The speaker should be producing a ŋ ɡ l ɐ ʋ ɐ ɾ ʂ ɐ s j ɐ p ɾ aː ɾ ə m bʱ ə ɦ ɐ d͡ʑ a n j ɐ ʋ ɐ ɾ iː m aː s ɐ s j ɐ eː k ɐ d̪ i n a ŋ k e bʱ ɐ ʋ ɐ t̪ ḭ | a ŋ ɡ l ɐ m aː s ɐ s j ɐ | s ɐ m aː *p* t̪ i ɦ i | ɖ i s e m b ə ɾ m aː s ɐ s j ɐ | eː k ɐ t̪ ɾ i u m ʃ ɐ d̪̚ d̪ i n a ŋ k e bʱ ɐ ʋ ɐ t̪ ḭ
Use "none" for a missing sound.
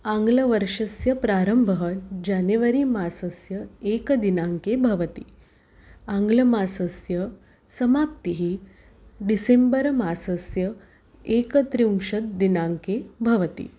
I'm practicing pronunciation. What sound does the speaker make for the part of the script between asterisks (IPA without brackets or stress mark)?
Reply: p